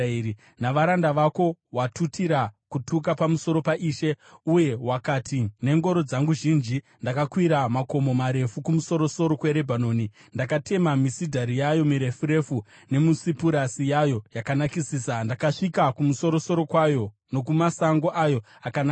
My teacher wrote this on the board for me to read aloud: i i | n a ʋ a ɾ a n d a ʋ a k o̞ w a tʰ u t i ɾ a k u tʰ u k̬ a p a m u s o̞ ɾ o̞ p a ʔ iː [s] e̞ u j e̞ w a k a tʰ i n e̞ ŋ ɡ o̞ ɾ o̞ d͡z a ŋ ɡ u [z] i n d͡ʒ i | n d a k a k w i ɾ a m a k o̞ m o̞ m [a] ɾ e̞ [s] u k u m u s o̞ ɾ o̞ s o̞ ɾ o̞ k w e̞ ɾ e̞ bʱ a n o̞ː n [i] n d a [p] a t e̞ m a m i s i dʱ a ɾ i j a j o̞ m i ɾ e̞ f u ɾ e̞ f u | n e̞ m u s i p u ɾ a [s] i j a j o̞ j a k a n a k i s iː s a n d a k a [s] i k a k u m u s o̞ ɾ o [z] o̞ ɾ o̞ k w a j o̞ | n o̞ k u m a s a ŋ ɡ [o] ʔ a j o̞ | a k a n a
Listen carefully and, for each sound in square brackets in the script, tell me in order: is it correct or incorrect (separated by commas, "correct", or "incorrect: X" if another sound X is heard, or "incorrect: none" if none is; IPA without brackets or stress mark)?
incorrect: ʃ, incorrect: ʒ, correct, incorrect: f, correct, incorrect: k, correct, incorrect: ʂ, incorrect: s, correct